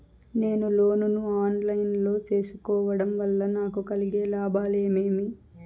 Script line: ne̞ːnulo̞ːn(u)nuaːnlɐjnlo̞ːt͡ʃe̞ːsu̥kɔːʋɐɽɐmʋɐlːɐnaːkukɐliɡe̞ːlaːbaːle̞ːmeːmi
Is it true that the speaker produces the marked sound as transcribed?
yes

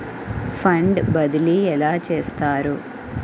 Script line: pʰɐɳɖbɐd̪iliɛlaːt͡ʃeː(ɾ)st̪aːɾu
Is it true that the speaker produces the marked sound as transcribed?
no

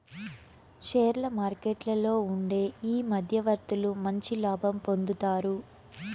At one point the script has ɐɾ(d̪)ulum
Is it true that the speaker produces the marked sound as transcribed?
no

